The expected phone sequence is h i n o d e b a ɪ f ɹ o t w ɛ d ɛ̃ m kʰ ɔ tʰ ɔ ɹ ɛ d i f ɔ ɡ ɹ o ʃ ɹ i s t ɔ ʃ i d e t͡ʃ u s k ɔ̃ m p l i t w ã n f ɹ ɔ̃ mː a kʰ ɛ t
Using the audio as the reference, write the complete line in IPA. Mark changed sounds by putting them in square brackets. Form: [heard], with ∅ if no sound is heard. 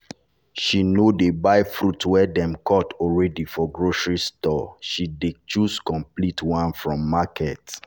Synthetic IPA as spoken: [ʃ] i n o d e b a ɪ f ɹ [u] t w ɛ d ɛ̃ m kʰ ɔ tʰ ɔ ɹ ɛ d i f ɔ ɡ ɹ o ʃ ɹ i s t ɔ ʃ i d e t͡ʃ u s k ɔ̃ m p l i t w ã n f ɹ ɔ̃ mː a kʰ ɛ t